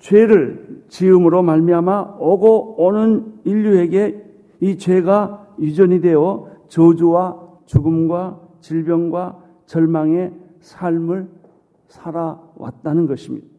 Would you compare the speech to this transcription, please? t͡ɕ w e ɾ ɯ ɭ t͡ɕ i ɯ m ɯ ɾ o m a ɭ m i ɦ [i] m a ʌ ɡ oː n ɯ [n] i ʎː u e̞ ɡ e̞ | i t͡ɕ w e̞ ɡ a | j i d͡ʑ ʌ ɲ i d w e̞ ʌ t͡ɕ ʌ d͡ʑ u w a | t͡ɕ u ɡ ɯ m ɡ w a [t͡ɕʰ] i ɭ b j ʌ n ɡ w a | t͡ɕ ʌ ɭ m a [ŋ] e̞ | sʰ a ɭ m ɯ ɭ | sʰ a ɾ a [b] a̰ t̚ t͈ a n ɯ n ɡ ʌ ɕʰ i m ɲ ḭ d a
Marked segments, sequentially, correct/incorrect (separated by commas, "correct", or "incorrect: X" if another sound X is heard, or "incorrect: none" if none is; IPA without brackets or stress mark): incorrect: a, correct, incorrect: t͡ɕ, correct, incorrect: w